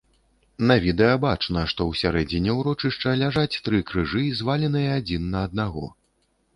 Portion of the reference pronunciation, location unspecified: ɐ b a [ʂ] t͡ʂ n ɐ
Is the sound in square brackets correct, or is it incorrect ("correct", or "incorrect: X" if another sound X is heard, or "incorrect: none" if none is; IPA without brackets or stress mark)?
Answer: incorrect: none